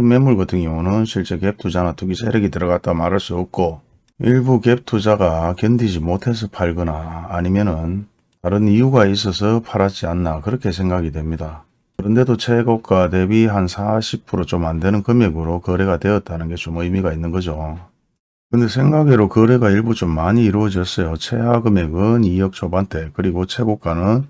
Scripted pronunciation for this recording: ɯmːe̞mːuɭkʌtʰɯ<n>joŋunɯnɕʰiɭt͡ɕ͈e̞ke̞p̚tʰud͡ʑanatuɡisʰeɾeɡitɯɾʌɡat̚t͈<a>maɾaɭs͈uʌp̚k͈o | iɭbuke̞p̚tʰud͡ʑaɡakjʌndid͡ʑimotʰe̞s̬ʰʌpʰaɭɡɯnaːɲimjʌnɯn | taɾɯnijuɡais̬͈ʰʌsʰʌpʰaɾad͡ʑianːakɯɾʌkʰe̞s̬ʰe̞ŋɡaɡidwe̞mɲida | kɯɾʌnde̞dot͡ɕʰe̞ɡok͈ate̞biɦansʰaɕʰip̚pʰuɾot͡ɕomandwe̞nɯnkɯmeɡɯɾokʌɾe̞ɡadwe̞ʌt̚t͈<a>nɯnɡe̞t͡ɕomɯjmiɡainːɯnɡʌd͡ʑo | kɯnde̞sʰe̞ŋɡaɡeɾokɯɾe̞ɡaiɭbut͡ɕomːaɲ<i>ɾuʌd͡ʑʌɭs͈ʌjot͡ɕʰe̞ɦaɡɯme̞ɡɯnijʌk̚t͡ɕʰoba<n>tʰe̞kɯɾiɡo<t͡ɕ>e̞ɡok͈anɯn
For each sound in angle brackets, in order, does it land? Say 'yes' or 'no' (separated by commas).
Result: no, yes, yes, no, yes, no